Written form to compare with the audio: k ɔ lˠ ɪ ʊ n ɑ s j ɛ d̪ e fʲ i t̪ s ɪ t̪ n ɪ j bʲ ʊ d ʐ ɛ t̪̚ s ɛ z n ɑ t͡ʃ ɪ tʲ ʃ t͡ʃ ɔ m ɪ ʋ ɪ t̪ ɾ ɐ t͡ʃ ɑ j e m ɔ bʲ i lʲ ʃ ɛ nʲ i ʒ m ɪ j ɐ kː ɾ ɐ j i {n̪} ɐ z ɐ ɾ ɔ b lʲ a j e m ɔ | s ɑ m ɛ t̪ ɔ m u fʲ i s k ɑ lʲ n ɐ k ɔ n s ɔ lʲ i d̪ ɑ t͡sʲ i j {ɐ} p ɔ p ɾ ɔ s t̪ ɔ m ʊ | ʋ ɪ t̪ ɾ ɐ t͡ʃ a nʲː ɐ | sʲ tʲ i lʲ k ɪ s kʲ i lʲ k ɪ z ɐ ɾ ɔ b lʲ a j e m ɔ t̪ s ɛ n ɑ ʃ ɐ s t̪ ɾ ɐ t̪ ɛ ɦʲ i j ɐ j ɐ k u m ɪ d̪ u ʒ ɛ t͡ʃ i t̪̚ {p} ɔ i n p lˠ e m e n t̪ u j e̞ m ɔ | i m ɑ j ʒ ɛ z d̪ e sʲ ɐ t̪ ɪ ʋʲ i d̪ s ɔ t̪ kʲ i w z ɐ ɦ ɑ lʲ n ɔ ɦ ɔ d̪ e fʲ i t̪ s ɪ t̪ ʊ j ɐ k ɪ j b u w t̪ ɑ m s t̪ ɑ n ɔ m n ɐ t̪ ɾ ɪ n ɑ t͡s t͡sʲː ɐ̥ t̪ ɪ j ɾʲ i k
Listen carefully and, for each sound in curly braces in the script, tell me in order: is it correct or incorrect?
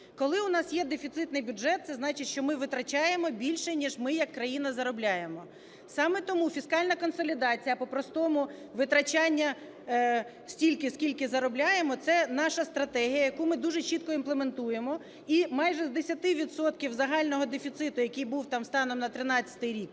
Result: correct, correct, incorrect: k

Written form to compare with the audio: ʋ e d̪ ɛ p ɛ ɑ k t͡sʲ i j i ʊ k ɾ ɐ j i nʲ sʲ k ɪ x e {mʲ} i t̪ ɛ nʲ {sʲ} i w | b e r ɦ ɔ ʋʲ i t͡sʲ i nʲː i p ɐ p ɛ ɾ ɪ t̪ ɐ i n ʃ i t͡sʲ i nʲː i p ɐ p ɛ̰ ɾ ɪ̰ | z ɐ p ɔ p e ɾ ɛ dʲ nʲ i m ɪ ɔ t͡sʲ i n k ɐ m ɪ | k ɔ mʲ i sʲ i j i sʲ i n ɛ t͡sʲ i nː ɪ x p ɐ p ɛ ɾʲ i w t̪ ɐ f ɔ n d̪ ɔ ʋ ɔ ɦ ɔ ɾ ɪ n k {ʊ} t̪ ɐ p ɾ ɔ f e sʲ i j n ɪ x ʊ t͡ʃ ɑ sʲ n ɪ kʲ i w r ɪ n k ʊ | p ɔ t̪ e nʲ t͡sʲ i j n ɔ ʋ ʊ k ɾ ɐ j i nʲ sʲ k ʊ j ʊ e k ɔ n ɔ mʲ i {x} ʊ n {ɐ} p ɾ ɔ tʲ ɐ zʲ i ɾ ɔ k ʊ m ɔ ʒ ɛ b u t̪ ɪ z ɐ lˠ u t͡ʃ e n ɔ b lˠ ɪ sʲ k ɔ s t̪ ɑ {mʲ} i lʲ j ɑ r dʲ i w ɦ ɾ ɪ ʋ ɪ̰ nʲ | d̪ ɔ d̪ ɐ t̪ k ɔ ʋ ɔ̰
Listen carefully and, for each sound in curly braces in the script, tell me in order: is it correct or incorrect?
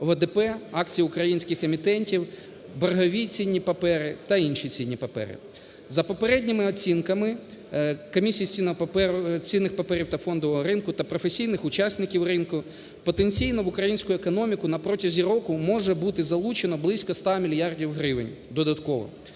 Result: correct, incorrect: tʲ, correct, incorrect: k, correct, correct

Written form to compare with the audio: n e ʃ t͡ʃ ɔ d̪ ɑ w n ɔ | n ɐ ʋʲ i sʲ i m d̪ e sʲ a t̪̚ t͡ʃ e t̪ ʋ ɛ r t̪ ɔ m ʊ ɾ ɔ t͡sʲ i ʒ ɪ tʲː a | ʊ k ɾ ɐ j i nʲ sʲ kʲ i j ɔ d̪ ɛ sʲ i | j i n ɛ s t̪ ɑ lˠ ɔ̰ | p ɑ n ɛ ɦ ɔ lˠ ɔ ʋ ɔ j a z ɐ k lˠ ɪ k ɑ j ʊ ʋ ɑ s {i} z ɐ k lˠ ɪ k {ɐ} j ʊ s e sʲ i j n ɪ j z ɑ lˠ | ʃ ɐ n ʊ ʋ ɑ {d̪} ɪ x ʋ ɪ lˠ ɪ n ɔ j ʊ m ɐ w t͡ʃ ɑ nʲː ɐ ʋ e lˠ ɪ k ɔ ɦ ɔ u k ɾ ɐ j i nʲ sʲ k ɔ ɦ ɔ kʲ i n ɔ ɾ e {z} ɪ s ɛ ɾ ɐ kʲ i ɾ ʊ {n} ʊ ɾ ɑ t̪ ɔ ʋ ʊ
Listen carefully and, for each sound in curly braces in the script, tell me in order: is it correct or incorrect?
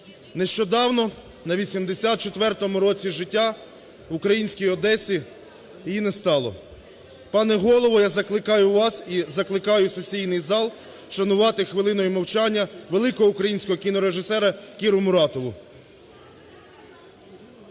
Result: correct, incorrect: ɑ, incorrect: t̪, incorrect: ʒ, incorrect: m

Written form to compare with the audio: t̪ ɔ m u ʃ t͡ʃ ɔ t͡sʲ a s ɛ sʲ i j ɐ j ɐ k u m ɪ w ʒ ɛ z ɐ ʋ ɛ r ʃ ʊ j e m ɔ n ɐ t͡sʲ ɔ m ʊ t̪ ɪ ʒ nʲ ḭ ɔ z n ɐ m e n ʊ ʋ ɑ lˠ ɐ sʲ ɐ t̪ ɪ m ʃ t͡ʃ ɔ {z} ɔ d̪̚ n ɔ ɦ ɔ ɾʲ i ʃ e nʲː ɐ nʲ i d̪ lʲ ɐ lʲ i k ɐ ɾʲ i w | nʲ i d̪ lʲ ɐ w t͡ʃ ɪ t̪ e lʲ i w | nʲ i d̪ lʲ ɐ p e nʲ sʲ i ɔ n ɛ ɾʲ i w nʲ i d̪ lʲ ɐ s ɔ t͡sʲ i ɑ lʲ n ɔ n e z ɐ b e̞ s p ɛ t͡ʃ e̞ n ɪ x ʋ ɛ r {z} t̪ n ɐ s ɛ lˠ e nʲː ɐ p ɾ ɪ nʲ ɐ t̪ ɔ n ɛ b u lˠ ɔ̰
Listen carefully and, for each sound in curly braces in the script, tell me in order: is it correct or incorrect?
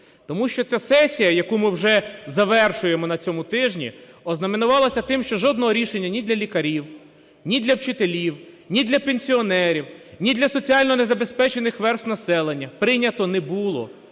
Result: incorrect: ʒ, incorrect: s

